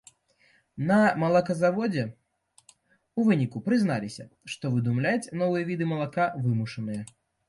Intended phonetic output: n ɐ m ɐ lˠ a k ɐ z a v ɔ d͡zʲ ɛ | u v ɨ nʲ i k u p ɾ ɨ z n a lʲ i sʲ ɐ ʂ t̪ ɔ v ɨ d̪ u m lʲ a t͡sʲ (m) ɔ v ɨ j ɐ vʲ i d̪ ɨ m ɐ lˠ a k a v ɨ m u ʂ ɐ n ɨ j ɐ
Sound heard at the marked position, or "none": n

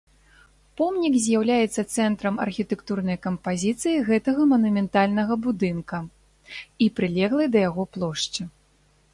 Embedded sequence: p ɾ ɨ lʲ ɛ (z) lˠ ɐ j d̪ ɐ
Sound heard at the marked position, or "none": ɣ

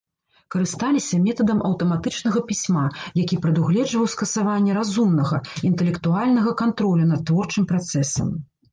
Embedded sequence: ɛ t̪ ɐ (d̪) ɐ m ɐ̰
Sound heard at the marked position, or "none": d̪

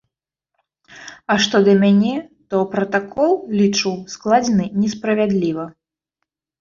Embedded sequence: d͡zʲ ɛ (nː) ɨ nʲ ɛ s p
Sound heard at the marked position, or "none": n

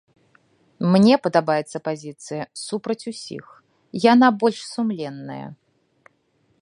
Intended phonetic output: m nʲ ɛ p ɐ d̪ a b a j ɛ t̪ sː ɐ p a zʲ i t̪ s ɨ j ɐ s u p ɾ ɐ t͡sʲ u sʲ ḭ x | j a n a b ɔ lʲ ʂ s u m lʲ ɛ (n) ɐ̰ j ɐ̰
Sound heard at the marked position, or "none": nː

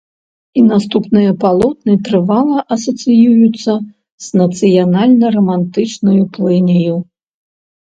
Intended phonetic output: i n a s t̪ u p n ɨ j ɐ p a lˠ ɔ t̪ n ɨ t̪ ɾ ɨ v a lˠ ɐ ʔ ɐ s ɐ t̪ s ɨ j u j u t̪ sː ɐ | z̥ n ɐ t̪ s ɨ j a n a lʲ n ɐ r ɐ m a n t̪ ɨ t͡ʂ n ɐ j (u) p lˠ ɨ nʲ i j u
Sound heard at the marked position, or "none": u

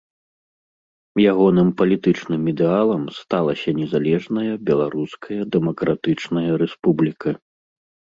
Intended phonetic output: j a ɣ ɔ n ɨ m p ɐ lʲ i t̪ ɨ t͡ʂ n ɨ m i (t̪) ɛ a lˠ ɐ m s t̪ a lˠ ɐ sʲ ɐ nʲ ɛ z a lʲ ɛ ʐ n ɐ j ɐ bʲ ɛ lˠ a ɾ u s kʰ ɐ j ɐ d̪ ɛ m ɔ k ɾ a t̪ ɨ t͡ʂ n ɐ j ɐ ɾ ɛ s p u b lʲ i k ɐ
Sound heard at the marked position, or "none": d̪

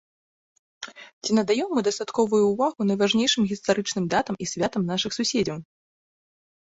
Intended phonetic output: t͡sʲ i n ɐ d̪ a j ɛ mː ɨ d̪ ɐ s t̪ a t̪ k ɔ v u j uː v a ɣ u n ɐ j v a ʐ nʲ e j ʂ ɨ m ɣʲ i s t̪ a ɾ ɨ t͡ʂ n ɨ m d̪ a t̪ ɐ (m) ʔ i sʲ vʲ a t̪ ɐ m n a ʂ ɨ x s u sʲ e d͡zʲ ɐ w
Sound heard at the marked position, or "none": m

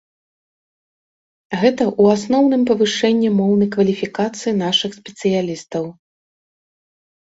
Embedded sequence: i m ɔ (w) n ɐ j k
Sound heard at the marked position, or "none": w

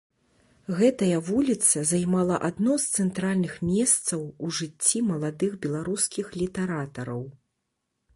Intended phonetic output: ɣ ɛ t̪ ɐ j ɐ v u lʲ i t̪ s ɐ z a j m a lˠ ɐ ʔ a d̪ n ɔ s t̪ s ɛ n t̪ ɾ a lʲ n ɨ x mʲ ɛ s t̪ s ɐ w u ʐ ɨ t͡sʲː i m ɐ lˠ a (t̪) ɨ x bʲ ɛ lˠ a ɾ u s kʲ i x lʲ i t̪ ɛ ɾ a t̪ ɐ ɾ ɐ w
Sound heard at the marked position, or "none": d̪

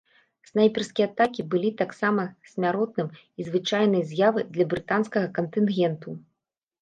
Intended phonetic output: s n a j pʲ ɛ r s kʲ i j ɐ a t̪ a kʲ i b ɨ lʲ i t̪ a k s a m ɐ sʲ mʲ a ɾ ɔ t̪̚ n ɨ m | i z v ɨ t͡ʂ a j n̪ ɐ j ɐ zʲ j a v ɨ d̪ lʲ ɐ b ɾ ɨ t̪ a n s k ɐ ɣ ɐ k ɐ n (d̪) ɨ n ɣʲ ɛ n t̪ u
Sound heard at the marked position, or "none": t̪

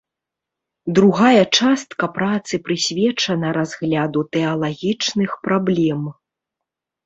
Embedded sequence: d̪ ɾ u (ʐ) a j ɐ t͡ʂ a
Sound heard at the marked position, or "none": ɣ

